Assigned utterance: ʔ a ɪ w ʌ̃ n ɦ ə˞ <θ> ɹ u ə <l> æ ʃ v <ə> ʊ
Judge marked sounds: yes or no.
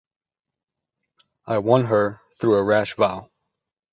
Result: yes, no, no

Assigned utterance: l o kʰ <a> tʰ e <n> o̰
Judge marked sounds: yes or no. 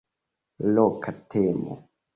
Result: yes, no

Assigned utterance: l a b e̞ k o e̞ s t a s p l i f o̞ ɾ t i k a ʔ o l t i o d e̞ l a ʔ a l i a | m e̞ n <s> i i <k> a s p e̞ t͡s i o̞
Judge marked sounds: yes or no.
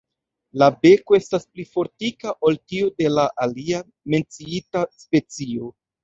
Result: no, no

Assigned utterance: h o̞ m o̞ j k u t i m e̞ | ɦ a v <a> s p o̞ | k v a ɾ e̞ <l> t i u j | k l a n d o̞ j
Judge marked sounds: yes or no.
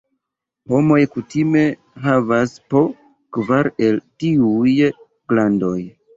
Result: yes, yes

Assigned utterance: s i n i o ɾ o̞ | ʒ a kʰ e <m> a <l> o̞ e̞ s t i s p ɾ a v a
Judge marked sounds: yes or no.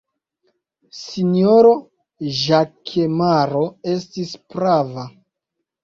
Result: yes, no

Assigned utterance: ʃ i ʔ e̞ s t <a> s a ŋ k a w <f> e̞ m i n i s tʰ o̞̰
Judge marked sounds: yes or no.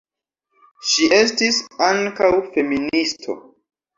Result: no, yes

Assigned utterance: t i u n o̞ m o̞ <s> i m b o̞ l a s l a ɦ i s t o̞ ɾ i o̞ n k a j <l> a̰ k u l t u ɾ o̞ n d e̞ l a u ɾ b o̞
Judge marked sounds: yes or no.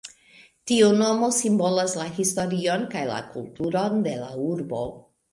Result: yes, yes

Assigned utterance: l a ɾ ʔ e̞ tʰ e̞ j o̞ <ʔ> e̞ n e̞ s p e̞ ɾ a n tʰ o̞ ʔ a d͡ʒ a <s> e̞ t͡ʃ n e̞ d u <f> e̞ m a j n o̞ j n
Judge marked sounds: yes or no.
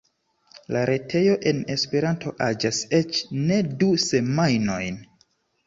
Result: yes, yes, no

